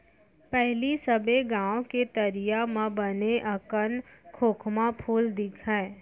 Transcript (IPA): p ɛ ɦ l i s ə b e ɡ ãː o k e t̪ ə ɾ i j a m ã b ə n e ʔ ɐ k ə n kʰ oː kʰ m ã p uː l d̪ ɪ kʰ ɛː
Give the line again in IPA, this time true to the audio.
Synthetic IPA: p ɛ ɦ l i s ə b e ɡ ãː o k e t̪ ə ɾ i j a m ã b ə n e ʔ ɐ k ə n kʰ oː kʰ m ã pʰ uː l d̪ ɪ kʰ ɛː